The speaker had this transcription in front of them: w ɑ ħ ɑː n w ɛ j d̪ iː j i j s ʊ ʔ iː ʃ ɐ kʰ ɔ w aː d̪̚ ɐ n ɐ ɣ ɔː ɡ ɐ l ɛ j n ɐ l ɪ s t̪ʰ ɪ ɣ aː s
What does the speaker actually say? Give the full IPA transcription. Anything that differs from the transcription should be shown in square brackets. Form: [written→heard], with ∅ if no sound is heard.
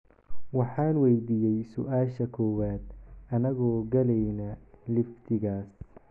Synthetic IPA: w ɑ ħ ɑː n w ɛ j d̪ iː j [i→ɛ] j s ʊ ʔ [iː→aː] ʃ ɐ kʰ ɔ w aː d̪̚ ɐ n ɐ ɣ ɔː ɡ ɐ l ɛ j n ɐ l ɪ [s→f] t̪ʰ ɪ ɣ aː s

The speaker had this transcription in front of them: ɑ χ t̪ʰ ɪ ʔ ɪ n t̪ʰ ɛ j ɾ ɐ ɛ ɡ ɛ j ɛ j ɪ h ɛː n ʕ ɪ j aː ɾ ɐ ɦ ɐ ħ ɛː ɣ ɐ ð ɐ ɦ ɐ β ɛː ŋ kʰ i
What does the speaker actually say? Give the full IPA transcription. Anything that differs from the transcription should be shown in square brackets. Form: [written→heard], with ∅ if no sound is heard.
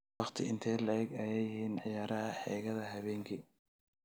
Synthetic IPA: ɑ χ t̪ʰ ɪ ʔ ɪ n t̪ʰ ɛ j [ɾ→l] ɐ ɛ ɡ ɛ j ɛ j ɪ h [ɛː→iː] n ʕ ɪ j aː ɾ ɐ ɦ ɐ ħ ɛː ɣ ɐ ð ɐ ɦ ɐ β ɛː ŋ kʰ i

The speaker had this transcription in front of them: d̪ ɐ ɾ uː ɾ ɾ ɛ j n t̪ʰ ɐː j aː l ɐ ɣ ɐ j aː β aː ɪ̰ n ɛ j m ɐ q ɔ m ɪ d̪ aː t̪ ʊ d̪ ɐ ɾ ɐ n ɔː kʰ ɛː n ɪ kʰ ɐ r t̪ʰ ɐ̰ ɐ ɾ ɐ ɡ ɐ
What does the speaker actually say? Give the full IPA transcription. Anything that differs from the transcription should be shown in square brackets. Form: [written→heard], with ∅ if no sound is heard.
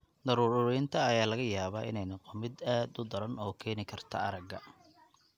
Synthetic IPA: d̪ ɐ ɾ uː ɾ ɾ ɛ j n t̪ʰ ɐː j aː l ɐ ɣ ɐ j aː β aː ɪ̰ n ɛ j [m→n] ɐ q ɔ m ɪ d̪ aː [t̪→d̪] ʊ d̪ ɐ ɾ ɐ n ɔː kʰ ɛː n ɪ kʰ ɐ r t̪ʰ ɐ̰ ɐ ɾ ɐ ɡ ɐ

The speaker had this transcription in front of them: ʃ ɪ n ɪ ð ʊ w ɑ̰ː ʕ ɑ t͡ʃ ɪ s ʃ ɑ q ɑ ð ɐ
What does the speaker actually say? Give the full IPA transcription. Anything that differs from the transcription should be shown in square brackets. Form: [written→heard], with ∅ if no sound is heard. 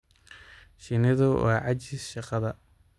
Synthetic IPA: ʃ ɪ n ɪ ð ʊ w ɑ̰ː ʕ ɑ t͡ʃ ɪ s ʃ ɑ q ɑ ð ɐ

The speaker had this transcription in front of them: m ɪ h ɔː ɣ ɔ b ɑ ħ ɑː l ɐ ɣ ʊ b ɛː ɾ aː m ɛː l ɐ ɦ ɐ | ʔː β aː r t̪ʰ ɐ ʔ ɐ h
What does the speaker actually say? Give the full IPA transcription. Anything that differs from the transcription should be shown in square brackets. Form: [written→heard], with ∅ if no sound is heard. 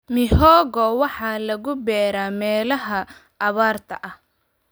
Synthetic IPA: m ɪ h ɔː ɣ ɔ [b→w] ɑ ħ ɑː l ɐ ɣ ʊ b ɛː ɾ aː m ɛː l ɐ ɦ ɐ | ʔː β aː r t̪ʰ ɐ ʔ ɐ h

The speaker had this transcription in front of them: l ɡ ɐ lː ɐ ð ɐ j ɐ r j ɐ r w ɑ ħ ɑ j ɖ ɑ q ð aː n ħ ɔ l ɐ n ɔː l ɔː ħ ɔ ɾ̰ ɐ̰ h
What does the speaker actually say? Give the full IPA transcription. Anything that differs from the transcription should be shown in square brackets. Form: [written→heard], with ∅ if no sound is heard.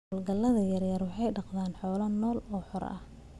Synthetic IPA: l ɡ ɐ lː ɐ ð ɐ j ɐ r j ɐ r w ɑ ħ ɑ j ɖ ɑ q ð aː n ħ [ɔ→ɔː] l ɐ n ɔː l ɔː ħ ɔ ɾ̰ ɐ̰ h

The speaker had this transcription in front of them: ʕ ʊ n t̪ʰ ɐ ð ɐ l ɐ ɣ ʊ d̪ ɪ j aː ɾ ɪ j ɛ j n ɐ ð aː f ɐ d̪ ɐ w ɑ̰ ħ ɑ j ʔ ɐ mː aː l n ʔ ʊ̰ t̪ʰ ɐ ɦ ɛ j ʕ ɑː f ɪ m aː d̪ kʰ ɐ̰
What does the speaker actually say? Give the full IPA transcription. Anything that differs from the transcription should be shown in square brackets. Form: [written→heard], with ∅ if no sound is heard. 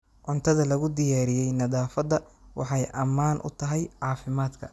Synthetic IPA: ʕ ʊ n t̪ʰ ɐ ð ɐ l ɐ ɣ ʊ d̪ ɪ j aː ɾ ɪ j ɛ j n ɐ ð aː f ɐ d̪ ɐ w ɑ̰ ħ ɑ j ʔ ɐ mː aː [l→∅] n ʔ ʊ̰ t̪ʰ ɐ ɦ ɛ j ʕ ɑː f ɪ m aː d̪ kʰ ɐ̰

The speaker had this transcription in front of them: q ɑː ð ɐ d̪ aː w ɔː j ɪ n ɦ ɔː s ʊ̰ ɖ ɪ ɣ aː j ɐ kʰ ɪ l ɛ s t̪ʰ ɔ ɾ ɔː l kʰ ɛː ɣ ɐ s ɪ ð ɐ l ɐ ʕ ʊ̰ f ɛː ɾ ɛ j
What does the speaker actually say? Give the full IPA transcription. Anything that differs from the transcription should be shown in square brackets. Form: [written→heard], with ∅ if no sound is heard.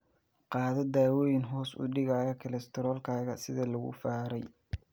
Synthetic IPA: q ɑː ð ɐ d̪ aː w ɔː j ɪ n ɦ ɔː s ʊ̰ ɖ ɪ ɣ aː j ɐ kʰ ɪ l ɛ s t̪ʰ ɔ ɾ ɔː l kʰ [ɛː→aː] ɣ ɐ s ɪ ð ɐ l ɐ [ʕ→ɣ] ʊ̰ f [ɛː→aː] ɾ ɛ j

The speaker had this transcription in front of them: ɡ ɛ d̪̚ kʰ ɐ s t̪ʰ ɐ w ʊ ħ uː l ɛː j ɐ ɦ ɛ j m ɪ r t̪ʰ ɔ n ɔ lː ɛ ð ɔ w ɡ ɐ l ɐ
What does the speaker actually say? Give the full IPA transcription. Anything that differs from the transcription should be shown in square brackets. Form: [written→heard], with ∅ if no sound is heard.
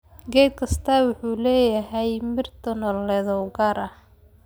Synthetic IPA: ɡ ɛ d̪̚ kʰ ɐ s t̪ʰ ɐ w ʊ ħ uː l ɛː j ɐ ɦ ɛ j m ɪ r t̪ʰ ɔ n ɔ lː ɛ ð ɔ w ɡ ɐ [l→ɾ] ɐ

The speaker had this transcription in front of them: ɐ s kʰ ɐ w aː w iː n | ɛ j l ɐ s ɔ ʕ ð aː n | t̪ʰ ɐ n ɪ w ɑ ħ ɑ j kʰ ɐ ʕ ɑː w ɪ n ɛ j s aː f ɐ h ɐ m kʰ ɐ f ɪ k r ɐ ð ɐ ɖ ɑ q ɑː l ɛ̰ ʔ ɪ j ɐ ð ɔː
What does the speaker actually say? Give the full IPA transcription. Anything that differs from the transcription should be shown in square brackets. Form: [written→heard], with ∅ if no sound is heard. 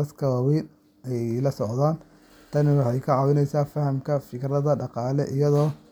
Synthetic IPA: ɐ s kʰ ɐ w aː w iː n | ɛ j l ɐ s ɔ ʕ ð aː n | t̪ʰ ɐ n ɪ w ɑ ħ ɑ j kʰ ɐ ʕ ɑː w ɪ n ɛ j s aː f ɐ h ɐ m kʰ ɐ f ɪ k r ɐ ð ɐ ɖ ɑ q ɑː l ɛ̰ ʔ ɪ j ɐ ð ɔː

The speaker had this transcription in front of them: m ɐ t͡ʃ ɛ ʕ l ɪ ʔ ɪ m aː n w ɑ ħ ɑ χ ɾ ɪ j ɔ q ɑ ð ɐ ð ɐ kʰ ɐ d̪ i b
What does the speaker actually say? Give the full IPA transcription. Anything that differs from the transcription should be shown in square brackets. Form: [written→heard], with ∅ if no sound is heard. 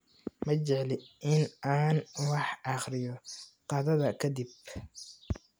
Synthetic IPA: m ɐ t͡ʃ ɛ ʕ l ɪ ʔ ɪ [m→n] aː n w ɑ ħ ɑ χ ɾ ɪ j ɔ q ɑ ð ɐ ð ɐ kʰ ɐ d̪ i b

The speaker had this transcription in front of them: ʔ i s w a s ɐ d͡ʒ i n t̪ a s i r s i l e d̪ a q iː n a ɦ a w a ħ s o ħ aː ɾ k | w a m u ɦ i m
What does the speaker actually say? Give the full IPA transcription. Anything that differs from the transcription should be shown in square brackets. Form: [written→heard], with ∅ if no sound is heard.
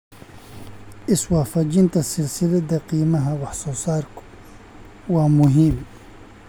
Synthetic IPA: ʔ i s w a [s→f] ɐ d͡ʒ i n t̪ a s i [r→l] s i l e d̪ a q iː [n→m] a ɦ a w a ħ s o [ħ→s] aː ɾ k | w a m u ɦ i m

